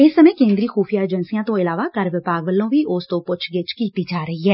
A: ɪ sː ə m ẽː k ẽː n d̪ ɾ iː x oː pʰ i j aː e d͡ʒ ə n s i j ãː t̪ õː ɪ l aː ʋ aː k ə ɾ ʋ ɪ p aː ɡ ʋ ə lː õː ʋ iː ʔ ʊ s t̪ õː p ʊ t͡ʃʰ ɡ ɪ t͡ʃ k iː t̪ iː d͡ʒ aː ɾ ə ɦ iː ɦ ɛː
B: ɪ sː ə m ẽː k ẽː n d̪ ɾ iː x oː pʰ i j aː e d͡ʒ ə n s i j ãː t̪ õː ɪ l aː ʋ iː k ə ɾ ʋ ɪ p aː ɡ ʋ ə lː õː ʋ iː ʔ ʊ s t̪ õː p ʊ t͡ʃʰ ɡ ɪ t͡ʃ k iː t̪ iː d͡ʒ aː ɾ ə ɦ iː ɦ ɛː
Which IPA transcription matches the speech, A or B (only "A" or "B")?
A